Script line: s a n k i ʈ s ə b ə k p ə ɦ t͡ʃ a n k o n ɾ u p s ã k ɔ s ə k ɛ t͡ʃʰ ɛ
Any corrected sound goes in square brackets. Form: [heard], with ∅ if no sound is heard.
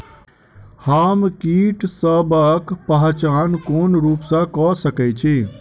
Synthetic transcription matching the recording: [h] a [m] k i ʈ s ə b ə k p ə ɦ t͡ʃ a n k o n ɾ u p s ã k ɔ s ə k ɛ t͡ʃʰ [i]